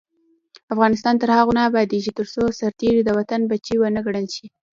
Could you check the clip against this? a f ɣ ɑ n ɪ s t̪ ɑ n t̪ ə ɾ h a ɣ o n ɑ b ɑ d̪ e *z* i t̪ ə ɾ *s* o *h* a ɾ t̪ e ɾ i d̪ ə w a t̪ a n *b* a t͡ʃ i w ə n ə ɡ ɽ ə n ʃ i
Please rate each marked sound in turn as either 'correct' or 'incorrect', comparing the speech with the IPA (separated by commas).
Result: incorrect, correct, incorrect, correct